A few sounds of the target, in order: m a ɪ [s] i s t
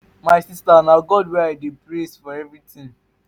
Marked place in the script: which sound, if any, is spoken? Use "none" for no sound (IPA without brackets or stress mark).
s